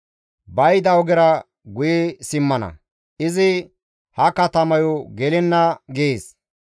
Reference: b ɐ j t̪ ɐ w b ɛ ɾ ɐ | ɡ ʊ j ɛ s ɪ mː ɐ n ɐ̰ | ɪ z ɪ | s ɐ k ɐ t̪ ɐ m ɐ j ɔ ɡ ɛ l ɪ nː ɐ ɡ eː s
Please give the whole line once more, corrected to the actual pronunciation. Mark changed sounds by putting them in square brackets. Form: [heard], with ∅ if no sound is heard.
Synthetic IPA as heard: b ɐ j [d̪] ɐ w [ɡ] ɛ ɾ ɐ | ɡ ʊ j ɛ s ɪ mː ɐ n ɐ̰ | ɪ z ɪ | [h] ɐ k ɐ t̪ ɐ m ɐ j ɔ ɡ ɛ l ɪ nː ɐ ɡ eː s